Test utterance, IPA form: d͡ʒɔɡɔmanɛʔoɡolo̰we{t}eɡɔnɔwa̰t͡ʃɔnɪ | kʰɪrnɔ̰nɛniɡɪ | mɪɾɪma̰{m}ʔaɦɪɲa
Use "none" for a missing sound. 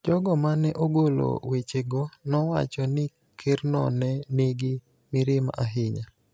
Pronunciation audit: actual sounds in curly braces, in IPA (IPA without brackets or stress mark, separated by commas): t͡ʃ, none